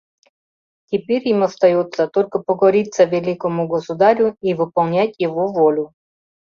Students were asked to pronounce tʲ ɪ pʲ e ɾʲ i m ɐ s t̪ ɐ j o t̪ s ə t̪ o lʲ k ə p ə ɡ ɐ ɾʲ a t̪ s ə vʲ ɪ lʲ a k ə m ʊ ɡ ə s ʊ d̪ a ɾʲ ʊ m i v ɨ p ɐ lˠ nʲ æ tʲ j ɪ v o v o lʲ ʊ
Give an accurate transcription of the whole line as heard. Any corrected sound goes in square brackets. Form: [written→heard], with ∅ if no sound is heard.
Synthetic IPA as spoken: tʲ ɪ pʲ e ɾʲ i m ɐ s t̪ ɐ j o t̪ s ə t̪ o lʲ k ə p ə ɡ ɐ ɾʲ [a→i] t̪ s ə vʲ ɪ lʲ [a→i] k ə m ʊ ɡ ə s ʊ d̪ a ɾʲ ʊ [m→∅] i v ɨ p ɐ lˠ nʲ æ tʲ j ɪ v o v o lʲ ʊ